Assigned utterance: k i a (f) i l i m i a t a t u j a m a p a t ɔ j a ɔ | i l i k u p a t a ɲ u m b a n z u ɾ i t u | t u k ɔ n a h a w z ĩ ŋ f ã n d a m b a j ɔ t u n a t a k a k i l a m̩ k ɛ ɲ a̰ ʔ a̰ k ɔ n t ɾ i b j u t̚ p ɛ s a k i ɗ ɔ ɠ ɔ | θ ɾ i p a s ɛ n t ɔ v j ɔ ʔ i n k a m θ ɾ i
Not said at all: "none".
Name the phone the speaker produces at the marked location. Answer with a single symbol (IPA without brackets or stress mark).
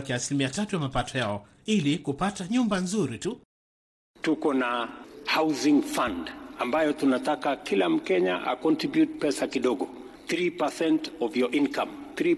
s